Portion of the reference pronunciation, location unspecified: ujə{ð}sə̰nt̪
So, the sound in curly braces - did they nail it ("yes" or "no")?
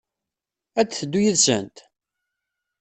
yes